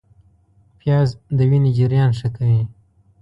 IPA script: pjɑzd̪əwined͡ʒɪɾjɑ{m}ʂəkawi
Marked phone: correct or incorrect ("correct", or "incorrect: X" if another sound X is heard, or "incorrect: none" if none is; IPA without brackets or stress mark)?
incorrect: n